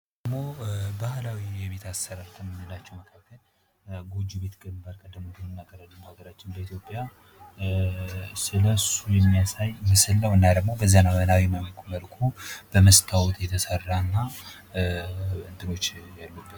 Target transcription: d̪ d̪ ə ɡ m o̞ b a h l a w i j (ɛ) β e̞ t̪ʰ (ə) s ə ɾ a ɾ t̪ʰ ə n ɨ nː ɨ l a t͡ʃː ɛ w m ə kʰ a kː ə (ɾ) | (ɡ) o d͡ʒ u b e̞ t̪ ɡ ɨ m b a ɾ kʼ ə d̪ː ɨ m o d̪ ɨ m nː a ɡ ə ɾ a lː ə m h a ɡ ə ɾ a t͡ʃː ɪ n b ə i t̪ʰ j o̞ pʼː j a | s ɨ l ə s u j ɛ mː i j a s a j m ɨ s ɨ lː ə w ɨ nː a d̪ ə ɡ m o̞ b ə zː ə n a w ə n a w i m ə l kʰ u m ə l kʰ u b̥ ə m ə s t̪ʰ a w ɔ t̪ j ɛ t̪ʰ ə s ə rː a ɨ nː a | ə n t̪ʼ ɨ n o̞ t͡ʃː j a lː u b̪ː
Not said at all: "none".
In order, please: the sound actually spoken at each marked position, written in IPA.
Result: ɛ, a, l, ɡ

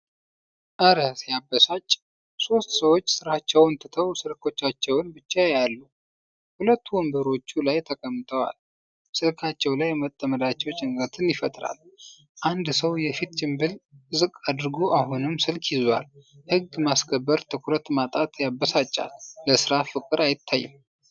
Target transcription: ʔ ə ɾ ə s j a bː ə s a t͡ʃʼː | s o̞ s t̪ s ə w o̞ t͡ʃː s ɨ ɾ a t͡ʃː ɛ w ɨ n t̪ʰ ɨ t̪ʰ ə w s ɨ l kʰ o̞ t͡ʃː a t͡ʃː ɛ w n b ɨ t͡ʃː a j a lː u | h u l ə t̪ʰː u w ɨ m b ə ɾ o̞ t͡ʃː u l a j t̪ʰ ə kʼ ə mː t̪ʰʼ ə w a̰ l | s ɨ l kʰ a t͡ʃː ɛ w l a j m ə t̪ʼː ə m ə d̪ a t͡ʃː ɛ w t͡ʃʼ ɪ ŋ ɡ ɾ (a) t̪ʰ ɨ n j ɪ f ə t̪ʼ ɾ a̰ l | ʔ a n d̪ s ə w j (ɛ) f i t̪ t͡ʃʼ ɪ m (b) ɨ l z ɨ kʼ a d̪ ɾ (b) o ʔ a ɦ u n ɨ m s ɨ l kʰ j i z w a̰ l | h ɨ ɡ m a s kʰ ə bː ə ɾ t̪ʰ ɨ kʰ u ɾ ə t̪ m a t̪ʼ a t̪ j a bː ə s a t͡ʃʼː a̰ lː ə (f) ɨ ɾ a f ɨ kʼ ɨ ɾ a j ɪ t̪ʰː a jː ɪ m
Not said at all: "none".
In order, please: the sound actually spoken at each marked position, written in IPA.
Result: ə, ɛ, b, ɡ, s

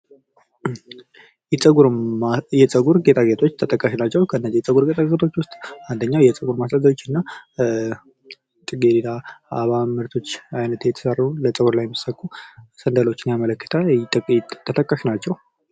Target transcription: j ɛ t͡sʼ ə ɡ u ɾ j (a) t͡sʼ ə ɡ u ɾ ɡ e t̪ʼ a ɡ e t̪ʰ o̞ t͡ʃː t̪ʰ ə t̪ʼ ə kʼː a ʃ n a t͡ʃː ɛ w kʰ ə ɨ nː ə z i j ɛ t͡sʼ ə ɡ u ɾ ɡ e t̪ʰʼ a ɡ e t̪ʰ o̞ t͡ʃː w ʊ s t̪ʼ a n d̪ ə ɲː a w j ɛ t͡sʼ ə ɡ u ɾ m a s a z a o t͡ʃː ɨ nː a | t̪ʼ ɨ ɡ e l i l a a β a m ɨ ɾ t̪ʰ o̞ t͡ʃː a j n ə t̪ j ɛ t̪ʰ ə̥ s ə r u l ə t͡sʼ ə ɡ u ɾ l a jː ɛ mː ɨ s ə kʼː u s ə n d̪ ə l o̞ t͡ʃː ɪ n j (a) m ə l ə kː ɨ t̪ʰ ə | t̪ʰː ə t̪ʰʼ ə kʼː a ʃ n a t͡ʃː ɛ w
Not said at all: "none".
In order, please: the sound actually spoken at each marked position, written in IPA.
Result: ɛ, a

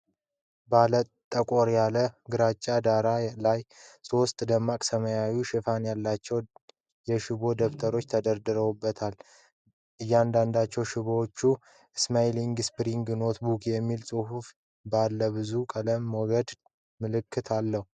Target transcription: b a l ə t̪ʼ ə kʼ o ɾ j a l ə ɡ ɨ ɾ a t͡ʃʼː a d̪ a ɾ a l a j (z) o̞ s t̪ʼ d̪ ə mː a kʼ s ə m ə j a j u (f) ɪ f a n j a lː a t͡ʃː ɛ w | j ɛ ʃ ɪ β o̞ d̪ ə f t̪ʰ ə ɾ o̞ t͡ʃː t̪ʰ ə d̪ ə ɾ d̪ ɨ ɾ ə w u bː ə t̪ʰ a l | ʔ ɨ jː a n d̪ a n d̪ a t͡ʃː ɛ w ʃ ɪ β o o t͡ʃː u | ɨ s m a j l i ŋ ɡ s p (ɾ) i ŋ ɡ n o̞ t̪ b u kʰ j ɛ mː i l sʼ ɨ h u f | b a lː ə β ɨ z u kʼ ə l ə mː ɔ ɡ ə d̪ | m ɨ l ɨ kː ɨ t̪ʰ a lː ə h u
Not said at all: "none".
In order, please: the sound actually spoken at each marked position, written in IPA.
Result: s, ʃ, ɾ

